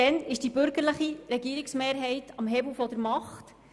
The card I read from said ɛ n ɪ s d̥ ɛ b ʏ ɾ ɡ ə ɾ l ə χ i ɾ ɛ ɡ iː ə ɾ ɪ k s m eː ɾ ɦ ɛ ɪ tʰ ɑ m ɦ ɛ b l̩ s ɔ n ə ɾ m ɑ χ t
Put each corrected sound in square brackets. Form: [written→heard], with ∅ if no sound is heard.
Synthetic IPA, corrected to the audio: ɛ n ɪ [s→ʃ] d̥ [ɛ→i] b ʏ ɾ ɡ ə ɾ l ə χ i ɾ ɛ ɡ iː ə ɾ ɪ k s m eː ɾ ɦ ɛ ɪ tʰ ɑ m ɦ ɛ b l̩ [s→f] ɔ [n→d] ə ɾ m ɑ χ t